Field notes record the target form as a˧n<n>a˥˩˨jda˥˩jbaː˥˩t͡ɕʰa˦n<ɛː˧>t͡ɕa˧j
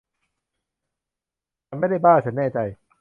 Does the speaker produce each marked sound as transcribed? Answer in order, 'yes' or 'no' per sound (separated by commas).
no, no